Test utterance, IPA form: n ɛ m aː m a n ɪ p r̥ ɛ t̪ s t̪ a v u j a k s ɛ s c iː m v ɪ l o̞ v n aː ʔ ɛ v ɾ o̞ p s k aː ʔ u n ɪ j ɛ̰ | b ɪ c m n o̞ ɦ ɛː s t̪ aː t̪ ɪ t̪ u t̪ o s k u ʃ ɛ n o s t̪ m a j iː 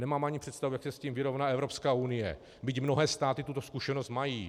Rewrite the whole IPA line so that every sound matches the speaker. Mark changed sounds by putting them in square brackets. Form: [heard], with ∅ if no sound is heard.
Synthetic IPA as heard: n ɛ m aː m a [ɲ] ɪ p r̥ ɛ t̪ s t̪ a v u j a k s ɛ s c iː m v ɪ [ɾ] o̞ v n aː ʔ ɛ v ɾ o̞ p s k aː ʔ u n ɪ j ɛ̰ | b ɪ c m n o̞ ɦ ɛː s t̪ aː t̪ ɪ t̪ u t̪ o s k u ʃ ɛ n o s t̪ m a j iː

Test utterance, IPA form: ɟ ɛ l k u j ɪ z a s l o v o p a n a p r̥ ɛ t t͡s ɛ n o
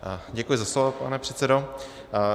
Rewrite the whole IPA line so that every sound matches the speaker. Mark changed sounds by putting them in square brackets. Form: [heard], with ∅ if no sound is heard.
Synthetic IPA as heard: ɟ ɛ [∅] k u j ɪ z a s l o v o p a n [ɛ] p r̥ ɛ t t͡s ɛ [d] o

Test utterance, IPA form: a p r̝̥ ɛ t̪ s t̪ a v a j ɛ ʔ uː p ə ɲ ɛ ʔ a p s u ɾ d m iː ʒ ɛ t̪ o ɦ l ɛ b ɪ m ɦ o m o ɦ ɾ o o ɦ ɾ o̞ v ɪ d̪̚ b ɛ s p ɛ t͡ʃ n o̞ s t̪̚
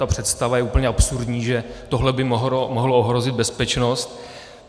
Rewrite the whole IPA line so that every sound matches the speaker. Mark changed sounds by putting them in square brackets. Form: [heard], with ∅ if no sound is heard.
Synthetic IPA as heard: a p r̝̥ ɛ t̪ s t̪ a v a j ɛ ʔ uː p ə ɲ ɛ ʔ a p s u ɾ d [ɲ] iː ʒ ɛ t̪ o ɦ l ɛ b ɪ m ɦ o m o ɦ [l] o o ɦ ɾ o̞ [z] ɪ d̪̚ b ɛ s p ɛ t͡ʃ n o̞ s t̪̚

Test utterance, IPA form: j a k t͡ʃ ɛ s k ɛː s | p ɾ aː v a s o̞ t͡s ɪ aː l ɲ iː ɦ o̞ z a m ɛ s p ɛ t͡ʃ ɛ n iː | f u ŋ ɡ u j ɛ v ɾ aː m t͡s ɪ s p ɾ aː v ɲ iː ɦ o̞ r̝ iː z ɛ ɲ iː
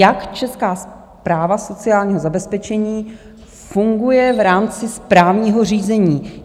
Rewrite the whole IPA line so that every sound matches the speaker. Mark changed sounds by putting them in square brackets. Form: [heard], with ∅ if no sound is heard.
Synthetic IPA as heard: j a k t͡ʃ ɛ s k [aː] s | p ɾ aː v a s o̞ t͡s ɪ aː l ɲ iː ɦ o̞ z a [b] ɛ s p ɛ t͡ʃ ɛ [ɲ] iː | f u ŋ ɡ u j ɛ v ɾ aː m t͡s ɪ s p ɾ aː v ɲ iː ɦ o̞ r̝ iː z ɛ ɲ iː

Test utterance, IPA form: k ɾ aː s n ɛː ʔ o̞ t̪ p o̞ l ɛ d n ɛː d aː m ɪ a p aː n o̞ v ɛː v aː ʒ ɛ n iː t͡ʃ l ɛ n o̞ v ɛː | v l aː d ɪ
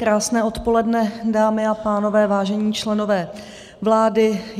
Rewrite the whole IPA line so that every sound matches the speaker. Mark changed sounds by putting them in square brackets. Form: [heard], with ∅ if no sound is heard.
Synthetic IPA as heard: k ɾ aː s n ɛː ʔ o̞ t̪ p o̞ l ɛ d n [ɛ] d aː m ɪ a p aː n o̞ v ɛː v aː ʒ ɛ [ɲ] iː t͡ʃ l ɛ n o̞ v ɛː | v l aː d ɪ

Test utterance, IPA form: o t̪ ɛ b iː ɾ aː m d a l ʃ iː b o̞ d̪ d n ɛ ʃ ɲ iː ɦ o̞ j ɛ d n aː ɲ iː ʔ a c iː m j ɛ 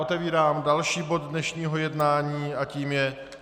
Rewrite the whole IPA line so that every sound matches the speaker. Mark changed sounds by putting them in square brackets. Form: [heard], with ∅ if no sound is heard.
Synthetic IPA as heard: o t̪ ɛ [v] iː ɾ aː m d a l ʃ iː b o̞ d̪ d n ɛ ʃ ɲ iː ɦ o̞ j ɛ d n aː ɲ iː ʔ a c iː m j ɛ

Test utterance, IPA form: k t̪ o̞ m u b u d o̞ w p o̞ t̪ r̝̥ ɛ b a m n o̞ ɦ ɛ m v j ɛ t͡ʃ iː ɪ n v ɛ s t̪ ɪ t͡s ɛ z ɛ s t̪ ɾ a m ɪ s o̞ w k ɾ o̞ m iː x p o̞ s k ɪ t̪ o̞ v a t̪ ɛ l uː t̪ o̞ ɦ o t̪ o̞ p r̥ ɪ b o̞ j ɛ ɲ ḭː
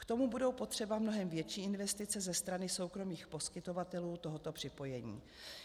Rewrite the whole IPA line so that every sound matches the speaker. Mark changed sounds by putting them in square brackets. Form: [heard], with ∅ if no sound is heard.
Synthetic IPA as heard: k t̪ o̞ m u b u d o̞ w p o̞ t̪ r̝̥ ɛ b a m n o̞ ɦ ɛ m v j ɛ t͡ʃ iː ɪ n v ɛ s t̪ ɪ t͡s ɛ z ɛ s t̪ ɾ a [n] ɪ s o̞ w k ɾ o̞ m iː x p o̞ s k ɪ t̪ o̞ v a t̪ ɛ l uː t̪ o̞ ɦ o t̪ o̞ p r̥ ɪ [p] o̞ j ɛ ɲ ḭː

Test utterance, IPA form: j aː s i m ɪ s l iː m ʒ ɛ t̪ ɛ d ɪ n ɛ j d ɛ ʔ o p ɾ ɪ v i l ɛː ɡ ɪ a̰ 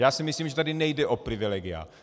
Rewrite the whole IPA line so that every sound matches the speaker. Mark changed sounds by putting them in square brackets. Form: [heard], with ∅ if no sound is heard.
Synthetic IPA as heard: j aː s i m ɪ s l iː m ʒ ɛ t̪ [a] d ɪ n ɛ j d ɛ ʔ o p ɾ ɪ v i l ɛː ɡ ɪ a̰

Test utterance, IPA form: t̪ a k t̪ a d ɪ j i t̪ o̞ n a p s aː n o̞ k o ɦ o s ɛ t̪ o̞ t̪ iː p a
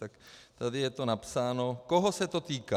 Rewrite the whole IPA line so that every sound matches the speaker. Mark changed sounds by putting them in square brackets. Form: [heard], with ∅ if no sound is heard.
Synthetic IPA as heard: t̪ a k t̪ a d ɪ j [ɛ] t̪ o̞ n a p s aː n o̞ k o ɦ o s ɛ t̪ o̞ t̪ iː [k] a

